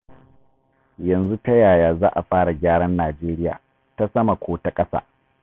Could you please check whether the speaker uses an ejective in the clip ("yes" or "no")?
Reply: yes